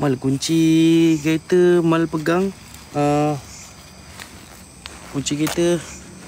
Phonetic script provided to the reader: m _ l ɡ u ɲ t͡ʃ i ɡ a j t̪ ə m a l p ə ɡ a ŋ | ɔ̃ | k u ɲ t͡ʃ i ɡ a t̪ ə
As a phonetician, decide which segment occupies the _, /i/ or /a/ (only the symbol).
a